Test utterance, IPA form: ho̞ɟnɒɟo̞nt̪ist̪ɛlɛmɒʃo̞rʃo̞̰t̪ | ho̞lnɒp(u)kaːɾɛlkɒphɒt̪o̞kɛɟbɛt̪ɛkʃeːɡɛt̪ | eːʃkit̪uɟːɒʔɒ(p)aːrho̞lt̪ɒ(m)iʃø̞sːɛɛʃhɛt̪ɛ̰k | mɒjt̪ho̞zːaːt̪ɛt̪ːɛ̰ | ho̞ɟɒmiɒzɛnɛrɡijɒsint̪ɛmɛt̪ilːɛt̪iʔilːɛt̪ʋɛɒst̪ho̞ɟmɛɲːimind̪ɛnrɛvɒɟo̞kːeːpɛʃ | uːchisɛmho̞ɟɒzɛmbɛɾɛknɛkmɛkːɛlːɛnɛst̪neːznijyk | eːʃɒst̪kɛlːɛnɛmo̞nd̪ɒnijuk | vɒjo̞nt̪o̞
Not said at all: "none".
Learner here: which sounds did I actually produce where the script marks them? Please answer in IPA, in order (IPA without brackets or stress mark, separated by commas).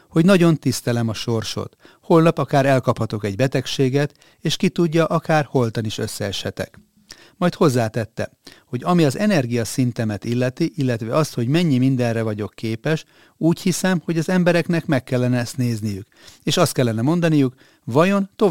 ɒ, k, n